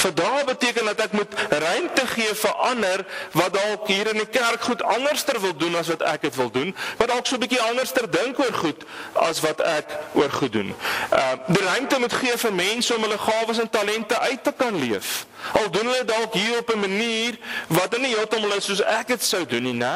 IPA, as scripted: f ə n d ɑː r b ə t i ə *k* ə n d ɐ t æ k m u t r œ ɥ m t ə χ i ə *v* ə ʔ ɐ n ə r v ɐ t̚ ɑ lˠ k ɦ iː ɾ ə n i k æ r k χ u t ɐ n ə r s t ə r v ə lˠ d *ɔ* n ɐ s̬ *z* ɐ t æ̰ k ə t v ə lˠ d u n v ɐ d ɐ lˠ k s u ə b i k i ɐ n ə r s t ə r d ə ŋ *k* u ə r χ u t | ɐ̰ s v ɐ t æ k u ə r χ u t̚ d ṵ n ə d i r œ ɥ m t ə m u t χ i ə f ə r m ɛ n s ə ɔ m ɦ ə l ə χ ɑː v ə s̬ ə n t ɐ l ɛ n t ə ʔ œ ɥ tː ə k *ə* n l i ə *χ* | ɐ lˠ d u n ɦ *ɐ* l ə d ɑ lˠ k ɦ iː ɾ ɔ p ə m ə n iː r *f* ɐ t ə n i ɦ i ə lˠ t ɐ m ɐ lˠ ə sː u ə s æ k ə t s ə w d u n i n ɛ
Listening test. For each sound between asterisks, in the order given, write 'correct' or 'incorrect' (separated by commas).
correct, incorrect, incorrect, incorrect, correct, incorrect, incorrect, incorrect, incorrect